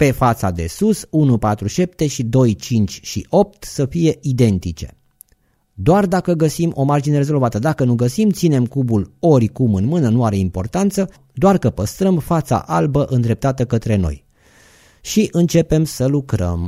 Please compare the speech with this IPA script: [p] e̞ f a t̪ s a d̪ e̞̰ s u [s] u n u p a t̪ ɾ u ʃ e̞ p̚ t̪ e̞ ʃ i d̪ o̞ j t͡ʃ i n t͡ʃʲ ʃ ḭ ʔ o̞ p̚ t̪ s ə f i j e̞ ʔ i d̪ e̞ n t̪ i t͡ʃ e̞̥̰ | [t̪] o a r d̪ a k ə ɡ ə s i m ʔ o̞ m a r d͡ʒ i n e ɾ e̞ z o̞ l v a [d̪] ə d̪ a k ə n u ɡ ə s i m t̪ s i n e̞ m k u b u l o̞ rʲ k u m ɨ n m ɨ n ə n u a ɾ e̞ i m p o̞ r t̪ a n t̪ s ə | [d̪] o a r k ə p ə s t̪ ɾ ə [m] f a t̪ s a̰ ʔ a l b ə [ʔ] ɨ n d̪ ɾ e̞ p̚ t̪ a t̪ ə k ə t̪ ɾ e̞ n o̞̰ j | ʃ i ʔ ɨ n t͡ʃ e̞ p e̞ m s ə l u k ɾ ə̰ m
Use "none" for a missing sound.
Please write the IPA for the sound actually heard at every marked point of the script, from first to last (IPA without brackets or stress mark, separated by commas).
p, s, d̪, t̪, d̪, m, ʔ